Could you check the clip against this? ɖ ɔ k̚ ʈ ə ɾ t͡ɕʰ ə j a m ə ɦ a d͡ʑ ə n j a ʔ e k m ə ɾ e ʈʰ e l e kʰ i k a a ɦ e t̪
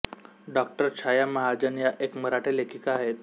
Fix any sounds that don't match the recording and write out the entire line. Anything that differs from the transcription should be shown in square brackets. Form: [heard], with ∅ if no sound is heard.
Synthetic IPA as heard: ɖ ɔ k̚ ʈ ə ɾ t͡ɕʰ [a] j a m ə ɦ a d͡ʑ ə n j a ʔ e k m ə ɾ [a] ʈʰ e l e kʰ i k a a ɦ e t̪